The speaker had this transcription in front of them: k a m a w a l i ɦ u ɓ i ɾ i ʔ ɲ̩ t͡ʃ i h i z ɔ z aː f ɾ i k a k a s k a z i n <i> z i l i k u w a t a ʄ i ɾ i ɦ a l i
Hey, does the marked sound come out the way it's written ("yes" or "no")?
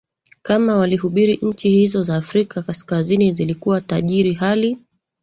yes